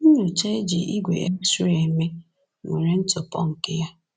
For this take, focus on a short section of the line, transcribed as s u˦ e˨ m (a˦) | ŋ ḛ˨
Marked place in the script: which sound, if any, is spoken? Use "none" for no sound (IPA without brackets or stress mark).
e˦